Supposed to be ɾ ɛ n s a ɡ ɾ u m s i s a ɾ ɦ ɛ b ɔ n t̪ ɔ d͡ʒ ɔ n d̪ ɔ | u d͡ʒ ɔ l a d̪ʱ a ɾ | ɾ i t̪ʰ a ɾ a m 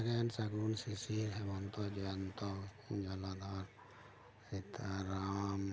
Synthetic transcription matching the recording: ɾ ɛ n s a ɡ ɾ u n s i s i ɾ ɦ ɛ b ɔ n t̪ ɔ d͡ʒ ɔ n t̪ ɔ | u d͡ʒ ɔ l a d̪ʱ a ɾ | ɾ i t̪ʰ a ɾ a m

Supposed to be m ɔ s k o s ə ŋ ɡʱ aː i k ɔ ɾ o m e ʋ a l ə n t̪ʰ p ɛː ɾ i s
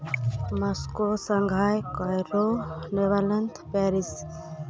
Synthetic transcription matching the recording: m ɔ s k o s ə ŋ ɡʱ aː j k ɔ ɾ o n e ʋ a l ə n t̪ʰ p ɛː ɾ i s

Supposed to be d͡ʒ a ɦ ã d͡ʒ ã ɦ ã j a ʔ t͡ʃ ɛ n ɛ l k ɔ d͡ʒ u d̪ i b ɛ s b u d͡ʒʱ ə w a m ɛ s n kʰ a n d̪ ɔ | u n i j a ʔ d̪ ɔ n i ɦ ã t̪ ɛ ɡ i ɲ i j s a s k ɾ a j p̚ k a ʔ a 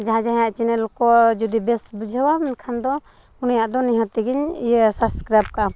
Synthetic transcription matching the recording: d͡ʒ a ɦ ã d͡ʒ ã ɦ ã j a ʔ t͡ʃ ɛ n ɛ l k ɔ d͡ʒ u d̪ i b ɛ s b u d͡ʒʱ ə w a m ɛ n kʰ a n d̪ ɔ | u n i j a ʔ d̪ ɔ n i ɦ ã t̪ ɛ ɡ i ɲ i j s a s k ɾ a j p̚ k a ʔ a

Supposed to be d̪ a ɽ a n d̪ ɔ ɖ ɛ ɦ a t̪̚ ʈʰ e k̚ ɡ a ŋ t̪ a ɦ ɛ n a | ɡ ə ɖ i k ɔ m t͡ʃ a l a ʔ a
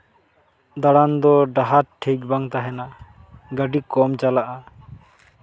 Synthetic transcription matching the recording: d̪ a ɽ a n d̪ ɔ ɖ a ɦ a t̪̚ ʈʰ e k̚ b a ŋ t̪ a ɦ ɛ n a | ɡ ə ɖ i k ɔ m t͡ʃ a l a ʔ a

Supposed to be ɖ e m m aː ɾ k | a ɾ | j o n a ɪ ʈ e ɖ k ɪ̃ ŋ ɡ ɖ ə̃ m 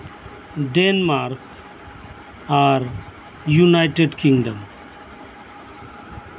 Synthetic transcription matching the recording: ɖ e n m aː ɾ k | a ɾ | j u n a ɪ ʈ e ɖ k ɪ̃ ŋ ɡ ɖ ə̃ m

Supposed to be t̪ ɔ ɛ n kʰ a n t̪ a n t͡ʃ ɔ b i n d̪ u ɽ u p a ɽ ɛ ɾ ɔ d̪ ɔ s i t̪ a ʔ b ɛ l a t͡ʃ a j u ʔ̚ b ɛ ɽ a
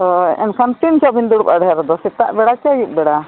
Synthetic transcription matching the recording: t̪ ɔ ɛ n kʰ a n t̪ i n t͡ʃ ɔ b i n d̪ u ɽ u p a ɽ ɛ ɾ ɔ d̪ ɔ s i t̪ a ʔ b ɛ ɽ a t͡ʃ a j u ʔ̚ b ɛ ɽ a

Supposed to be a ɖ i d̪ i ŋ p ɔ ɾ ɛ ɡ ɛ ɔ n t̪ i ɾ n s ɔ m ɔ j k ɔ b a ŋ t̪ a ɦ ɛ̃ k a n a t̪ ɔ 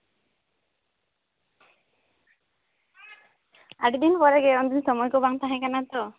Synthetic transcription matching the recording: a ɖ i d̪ i n p ɔ ɾ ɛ ɡ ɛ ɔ n d̪ i n s ɔ m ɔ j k ɔ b a ŋ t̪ a ɦ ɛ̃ k a n a t̪ ɔ

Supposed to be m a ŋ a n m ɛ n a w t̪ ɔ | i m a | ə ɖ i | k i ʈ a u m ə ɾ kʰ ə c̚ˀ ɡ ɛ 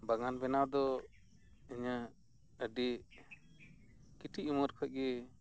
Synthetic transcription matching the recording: b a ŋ a n b ɛ n a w d̪ ɔ | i ɲ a | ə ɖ i | k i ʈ i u m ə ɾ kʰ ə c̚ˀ ɡ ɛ

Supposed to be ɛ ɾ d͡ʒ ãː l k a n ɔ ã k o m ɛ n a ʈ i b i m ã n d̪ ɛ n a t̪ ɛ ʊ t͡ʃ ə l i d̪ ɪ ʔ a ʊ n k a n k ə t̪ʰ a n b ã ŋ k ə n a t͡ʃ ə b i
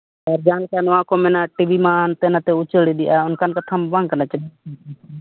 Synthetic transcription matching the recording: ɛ ɾ d͡ʒ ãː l k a n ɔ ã k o m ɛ n a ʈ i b i m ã n t̪ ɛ n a t̪ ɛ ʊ t͡ʃ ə ɽ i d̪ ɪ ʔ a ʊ n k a n k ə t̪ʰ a m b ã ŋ k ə n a t͡ʃ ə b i

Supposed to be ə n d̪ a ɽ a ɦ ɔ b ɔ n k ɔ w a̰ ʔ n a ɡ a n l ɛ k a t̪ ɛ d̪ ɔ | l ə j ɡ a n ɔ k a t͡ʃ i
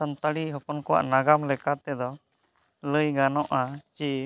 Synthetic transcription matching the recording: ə n t̪ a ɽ i ɦ ɔ p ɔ n k ɔ w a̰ ʔ n a ɡ a m l ɛ k a t̪ ɛ d̪ ɔ | l ə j ɡ a n ɔ ʔ a t͡ʃ i

